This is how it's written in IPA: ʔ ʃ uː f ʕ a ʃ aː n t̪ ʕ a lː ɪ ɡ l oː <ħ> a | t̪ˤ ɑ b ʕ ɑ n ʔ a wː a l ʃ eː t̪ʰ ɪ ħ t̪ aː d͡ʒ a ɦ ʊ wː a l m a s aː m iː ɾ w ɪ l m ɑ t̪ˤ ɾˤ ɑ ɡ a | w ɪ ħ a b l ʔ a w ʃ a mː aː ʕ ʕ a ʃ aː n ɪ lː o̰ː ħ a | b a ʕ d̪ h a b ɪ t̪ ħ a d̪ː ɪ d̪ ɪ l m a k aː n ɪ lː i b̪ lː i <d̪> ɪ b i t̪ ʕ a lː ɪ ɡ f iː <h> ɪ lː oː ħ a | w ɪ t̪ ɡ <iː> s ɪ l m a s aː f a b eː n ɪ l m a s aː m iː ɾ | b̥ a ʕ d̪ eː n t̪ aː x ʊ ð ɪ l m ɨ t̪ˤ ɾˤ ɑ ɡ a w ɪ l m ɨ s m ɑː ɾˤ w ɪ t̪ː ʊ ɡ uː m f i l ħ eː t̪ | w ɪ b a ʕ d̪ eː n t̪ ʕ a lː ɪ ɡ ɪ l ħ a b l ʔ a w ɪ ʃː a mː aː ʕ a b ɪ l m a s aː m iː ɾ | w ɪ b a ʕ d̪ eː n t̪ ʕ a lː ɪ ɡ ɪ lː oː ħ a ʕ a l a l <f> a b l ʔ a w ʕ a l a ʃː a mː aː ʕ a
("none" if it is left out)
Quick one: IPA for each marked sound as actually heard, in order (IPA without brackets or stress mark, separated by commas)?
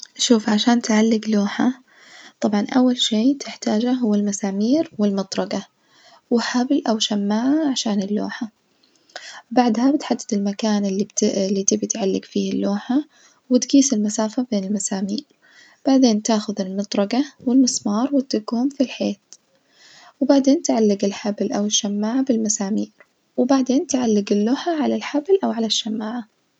ħ, t̪, h, iː, ħ